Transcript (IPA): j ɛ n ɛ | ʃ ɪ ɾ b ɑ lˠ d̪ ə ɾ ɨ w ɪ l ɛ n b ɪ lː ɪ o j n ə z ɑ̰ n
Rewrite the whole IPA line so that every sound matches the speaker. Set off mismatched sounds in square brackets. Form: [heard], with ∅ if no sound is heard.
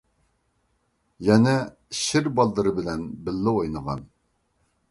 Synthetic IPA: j ɛ n ɛ | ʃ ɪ ɾ b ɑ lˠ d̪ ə ɾ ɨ [b] ɪ l ɛ n b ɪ lː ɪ o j n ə [ʁ] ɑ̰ n